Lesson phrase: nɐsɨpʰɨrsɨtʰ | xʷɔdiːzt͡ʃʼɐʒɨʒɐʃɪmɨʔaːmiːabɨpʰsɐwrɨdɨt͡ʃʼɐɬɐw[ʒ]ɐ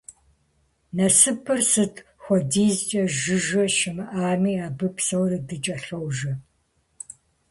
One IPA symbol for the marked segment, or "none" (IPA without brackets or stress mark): ʒ